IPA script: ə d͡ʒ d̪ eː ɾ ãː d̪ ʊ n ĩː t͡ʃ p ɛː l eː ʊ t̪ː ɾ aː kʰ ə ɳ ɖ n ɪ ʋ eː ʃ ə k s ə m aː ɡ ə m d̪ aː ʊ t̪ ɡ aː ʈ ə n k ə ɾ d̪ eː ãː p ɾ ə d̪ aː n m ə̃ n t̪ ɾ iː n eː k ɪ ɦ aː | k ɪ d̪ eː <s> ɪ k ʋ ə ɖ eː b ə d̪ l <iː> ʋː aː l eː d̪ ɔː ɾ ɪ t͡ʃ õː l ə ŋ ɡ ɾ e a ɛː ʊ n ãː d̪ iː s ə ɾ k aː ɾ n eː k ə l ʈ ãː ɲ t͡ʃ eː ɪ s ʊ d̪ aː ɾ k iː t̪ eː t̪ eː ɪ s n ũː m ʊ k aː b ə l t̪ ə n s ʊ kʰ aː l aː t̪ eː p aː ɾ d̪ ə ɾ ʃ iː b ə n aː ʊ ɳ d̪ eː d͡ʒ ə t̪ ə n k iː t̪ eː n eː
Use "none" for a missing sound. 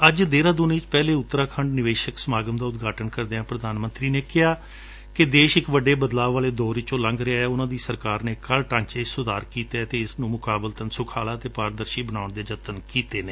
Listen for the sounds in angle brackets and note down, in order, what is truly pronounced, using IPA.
ʃ, aː

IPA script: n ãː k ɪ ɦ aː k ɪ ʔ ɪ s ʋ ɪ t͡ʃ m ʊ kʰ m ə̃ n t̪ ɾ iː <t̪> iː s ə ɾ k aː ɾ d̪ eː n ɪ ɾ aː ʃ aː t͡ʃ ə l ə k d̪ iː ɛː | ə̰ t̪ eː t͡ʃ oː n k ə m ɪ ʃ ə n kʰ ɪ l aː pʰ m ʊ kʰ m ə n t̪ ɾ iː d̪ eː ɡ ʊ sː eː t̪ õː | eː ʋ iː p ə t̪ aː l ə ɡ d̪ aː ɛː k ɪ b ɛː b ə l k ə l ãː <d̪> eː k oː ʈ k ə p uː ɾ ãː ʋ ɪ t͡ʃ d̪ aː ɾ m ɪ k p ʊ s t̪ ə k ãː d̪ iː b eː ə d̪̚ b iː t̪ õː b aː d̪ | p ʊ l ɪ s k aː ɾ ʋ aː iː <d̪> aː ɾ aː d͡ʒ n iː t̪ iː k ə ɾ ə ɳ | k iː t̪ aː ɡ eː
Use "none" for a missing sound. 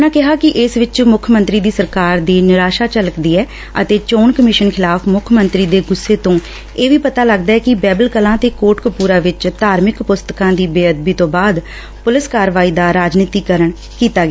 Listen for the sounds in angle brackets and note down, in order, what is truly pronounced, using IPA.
d̪, t̪, d̪

